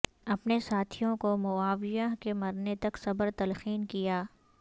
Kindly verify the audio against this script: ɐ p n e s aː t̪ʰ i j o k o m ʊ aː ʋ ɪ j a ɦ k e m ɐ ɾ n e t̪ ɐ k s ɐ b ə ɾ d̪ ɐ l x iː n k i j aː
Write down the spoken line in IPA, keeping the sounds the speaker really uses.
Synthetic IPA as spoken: ɐ p n e s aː t̪ʰ i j õ k o m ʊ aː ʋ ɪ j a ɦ k e m ɐ ɾ n e t̪ ɐ k s ɐ b ə ɾ t̪ ɐ l x iː n k i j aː